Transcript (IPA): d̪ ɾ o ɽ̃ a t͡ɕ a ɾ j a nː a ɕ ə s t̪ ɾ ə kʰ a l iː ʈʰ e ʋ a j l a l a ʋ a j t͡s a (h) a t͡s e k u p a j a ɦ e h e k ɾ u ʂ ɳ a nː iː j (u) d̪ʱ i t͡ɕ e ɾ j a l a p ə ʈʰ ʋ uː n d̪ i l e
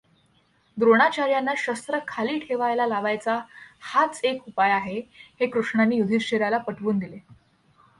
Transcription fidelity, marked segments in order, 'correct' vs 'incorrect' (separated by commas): correct, correct